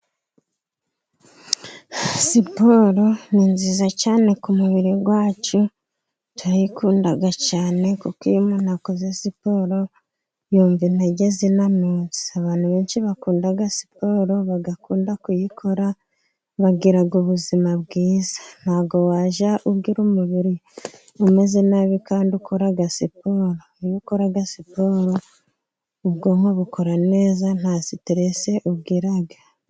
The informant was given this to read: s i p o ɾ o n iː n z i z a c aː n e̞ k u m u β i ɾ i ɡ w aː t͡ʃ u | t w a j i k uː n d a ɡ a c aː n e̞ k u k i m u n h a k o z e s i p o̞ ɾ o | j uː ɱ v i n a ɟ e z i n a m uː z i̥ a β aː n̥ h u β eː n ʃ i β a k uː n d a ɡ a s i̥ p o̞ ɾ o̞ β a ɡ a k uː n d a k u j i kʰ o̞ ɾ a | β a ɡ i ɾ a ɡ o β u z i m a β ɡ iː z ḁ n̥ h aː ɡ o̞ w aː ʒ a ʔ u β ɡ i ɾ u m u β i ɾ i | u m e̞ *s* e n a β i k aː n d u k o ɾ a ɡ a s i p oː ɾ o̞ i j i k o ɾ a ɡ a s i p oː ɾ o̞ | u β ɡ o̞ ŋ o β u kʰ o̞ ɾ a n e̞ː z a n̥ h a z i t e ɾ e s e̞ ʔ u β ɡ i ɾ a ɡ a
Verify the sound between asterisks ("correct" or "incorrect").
incorrect